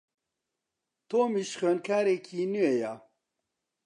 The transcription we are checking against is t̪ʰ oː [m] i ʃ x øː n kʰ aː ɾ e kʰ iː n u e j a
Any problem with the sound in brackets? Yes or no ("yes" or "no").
no